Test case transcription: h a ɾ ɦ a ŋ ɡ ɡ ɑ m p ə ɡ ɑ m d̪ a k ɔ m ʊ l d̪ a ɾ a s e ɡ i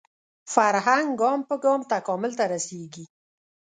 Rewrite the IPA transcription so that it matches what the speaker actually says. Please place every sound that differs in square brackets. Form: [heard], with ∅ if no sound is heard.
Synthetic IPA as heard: [f] a ɾ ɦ a ŋ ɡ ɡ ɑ m p ə ɡ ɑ m [t̪] a k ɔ m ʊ l [t̪] a ɾ a s e ɡ i